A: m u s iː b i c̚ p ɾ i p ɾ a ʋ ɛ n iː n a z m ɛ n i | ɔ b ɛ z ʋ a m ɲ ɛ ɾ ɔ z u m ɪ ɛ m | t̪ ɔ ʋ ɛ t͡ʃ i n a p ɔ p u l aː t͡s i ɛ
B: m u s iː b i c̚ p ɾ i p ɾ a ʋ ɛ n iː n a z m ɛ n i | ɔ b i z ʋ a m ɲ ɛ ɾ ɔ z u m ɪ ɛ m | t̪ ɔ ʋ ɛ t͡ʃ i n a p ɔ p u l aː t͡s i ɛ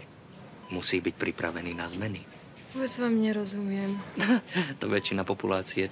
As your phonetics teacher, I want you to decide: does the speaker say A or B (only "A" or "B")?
A